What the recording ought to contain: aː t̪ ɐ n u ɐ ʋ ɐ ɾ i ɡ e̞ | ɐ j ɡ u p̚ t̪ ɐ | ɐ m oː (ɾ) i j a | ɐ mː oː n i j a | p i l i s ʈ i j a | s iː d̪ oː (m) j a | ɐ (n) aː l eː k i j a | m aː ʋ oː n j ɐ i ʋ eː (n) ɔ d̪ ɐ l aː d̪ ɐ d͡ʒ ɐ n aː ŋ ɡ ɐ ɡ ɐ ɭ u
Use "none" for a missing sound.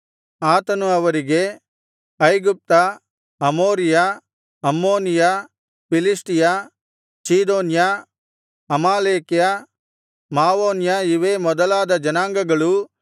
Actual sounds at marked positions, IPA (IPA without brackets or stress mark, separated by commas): ɾ, n, m, m